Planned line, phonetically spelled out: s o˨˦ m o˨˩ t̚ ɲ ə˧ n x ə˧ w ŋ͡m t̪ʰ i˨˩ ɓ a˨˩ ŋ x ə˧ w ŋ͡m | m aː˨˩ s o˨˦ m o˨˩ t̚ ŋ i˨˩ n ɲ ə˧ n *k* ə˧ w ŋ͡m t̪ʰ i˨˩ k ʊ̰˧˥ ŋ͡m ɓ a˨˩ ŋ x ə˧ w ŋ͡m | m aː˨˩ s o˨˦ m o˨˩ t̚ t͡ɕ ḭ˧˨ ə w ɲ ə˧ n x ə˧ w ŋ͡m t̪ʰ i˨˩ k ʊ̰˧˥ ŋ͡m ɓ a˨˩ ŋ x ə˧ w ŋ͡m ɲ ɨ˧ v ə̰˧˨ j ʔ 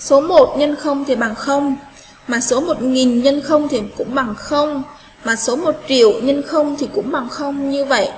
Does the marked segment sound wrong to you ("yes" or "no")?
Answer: yes